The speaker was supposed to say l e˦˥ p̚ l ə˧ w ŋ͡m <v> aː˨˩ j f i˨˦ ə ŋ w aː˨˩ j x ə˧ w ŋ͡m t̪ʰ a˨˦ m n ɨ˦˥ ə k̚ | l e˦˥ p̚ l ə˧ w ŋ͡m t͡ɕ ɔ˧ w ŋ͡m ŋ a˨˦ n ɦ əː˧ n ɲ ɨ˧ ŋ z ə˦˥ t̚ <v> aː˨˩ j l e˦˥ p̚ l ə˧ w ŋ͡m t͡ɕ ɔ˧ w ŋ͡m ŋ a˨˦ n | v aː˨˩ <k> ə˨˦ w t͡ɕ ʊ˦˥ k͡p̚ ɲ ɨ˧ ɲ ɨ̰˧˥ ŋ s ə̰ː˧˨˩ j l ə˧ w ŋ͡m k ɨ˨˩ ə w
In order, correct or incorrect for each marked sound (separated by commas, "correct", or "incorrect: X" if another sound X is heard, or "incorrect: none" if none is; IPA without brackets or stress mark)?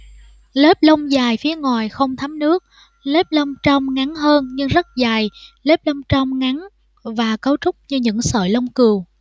incorrect: z, incorrect: z, correct